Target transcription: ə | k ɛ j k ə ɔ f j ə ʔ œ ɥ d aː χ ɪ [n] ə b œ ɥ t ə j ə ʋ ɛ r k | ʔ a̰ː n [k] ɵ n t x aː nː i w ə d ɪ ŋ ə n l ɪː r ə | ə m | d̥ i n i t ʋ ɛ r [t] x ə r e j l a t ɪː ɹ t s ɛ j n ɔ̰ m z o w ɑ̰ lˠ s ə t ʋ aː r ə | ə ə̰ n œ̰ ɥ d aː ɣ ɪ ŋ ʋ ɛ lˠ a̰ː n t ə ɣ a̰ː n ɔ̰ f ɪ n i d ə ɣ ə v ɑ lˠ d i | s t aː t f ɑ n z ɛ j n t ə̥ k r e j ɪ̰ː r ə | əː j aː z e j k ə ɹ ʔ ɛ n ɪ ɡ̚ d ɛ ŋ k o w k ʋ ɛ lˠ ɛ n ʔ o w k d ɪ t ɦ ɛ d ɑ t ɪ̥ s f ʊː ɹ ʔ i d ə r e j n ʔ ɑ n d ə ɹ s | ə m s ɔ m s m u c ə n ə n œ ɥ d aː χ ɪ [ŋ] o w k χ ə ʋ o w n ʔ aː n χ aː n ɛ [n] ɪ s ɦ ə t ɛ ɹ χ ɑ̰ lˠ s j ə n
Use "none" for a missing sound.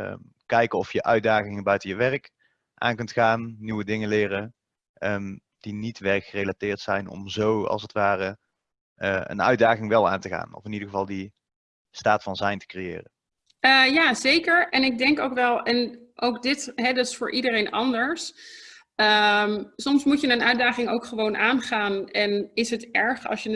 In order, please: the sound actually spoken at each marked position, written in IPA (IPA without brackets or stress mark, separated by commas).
ŋ, k, k, ŋ, n